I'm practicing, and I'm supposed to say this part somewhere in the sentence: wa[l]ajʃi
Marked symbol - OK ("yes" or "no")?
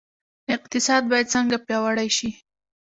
no